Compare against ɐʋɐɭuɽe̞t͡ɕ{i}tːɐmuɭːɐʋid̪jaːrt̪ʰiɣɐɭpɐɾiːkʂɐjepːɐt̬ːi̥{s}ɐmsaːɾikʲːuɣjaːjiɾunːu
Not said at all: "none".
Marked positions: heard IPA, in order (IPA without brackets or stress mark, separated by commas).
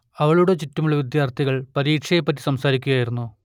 i, s